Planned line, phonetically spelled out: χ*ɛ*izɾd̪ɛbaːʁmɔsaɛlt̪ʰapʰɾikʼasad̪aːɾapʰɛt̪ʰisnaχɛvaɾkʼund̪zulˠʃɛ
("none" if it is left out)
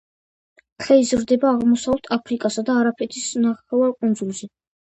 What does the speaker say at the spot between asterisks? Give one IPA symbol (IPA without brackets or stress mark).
ɛ